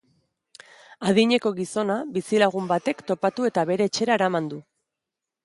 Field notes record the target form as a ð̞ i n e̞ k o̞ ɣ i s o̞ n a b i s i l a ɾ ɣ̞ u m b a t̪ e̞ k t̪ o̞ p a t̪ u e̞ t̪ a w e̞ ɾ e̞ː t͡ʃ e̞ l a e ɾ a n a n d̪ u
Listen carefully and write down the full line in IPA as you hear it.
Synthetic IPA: a ð̞ i ɲ e̞ k o̞ ɣ i s o̞ n a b i s i l a ɣ̞ u m b a t̪ e̞ k t̪ o̞ p a t̪ u e̞ t̪ a β e̞ ɾ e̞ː t͡ʃ e̞ ɾ a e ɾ a m a n d̪ u